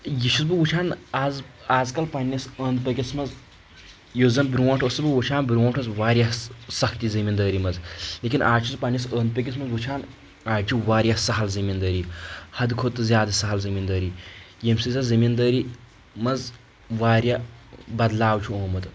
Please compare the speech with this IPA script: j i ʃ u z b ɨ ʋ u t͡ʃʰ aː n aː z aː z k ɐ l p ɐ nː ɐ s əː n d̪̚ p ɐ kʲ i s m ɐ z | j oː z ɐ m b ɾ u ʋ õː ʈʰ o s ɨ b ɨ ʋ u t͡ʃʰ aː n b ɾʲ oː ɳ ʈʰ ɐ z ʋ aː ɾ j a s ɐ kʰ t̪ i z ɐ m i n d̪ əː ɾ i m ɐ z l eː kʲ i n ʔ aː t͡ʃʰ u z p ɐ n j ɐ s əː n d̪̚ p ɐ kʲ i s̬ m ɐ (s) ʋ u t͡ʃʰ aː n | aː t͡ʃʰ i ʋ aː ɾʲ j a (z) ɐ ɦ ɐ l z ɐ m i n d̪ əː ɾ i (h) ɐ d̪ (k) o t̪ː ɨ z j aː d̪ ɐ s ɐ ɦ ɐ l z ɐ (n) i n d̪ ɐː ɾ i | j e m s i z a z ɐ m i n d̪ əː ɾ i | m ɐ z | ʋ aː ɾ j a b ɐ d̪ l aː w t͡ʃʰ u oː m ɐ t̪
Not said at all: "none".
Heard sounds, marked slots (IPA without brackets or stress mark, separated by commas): z, s, h, kʰ, m